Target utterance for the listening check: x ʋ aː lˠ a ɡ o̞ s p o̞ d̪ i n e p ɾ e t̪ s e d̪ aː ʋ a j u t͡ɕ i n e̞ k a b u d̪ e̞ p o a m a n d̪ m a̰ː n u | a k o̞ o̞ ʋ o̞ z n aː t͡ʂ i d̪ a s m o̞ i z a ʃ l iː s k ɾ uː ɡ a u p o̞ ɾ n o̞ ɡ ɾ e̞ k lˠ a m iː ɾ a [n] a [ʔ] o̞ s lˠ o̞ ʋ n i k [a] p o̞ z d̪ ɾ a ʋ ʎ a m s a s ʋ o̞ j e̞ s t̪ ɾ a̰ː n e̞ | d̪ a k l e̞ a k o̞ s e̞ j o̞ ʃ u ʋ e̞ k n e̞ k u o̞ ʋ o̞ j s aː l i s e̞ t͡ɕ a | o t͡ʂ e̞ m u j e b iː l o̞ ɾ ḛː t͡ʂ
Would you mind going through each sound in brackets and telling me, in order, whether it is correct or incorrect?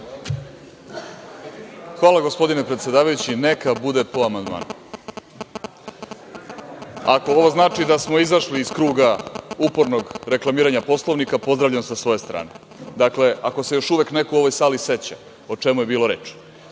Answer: incorrect: ɲ, incorrect: p, correct

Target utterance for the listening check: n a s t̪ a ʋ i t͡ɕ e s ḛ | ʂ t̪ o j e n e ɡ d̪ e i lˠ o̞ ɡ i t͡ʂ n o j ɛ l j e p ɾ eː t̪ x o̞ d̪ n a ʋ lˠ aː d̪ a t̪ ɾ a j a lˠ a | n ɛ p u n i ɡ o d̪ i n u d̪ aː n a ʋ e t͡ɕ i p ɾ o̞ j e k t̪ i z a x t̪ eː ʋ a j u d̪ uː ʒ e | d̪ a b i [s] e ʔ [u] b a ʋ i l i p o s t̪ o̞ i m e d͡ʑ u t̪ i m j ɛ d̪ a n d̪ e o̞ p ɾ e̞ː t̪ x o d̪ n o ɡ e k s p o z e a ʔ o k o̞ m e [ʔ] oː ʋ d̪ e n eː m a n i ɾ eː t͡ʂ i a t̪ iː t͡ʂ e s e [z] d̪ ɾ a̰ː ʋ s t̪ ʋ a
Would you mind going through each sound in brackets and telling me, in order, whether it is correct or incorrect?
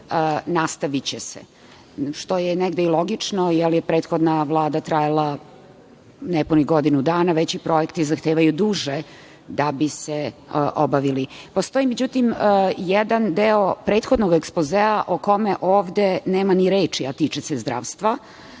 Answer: correct, incorrect: o, correct, correct

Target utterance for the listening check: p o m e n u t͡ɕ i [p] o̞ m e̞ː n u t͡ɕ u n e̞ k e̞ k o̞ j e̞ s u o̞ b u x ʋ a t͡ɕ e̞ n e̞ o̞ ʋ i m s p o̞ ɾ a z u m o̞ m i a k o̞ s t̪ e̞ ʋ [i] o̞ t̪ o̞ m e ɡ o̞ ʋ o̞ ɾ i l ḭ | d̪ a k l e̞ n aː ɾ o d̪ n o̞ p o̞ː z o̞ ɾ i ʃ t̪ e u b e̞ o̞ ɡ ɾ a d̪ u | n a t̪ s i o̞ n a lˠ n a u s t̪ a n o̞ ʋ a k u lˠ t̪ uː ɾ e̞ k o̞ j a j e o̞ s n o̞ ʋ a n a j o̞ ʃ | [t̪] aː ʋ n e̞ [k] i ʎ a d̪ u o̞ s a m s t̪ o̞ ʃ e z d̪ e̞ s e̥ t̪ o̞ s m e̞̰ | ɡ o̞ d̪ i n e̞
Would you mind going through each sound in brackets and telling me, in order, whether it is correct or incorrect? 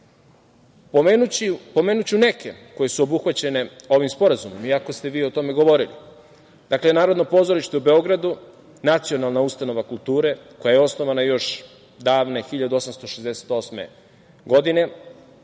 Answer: correct, incorrect: iː, incorrect: d̪, incorrect: x

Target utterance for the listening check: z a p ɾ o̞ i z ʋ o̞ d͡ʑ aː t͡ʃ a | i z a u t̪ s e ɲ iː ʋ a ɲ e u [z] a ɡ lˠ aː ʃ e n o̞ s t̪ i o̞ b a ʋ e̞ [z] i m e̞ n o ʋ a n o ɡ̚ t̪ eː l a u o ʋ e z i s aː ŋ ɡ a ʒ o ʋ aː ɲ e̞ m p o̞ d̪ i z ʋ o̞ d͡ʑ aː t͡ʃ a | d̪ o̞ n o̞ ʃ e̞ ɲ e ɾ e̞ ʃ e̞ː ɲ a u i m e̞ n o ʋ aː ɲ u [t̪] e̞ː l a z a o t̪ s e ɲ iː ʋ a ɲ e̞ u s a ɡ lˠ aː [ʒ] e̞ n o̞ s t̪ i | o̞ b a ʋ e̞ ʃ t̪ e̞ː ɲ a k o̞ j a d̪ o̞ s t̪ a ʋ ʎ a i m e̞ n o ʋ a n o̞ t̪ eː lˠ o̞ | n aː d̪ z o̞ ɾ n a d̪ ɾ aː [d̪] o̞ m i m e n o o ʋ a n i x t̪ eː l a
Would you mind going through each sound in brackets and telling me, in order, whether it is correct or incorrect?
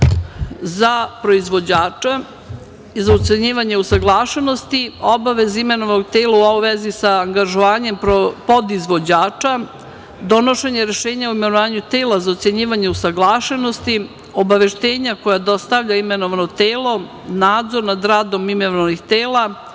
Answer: incorrect: s, correct, correct, incorrect: ʃ, correct

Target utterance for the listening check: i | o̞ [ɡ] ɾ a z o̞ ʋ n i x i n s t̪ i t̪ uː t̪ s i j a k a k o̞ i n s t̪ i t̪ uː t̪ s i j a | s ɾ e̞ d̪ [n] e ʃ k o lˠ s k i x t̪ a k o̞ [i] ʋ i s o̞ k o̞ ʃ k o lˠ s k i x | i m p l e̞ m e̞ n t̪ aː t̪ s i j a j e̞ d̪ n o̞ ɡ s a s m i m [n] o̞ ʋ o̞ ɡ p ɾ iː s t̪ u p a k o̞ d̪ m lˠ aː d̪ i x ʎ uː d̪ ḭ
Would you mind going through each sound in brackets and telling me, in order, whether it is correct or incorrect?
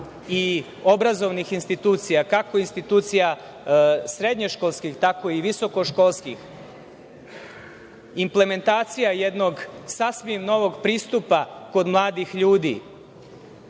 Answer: incorrect: b, incorrect: ɲ, correct, correct

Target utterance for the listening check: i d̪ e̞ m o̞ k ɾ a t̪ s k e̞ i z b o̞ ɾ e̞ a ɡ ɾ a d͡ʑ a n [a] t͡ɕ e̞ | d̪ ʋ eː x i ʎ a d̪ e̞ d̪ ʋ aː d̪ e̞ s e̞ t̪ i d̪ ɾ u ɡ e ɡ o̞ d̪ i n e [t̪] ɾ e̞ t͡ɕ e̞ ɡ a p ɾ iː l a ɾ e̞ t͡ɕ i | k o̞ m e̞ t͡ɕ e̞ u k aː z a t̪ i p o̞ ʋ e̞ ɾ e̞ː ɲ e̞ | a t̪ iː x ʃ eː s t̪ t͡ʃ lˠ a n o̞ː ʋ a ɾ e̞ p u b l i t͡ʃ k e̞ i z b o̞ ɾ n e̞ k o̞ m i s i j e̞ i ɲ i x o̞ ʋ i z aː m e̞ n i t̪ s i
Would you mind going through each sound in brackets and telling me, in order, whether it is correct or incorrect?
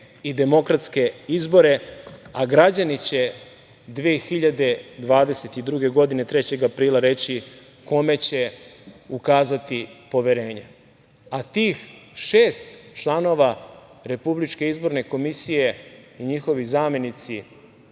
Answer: incorrect: i, correct

